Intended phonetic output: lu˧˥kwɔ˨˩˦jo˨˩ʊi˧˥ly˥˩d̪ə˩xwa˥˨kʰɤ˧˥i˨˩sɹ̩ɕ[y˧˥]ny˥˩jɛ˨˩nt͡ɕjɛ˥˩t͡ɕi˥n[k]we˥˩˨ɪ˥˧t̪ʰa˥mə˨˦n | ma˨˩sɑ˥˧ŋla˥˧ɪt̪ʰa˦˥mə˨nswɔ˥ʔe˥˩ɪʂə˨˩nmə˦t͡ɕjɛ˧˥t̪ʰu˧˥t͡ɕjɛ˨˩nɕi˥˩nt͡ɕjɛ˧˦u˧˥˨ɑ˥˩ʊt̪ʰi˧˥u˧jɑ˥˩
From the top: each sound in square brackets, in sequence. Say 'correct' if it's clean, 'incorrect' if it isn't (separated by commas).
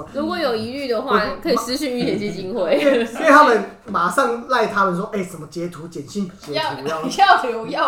incorrect, incorrect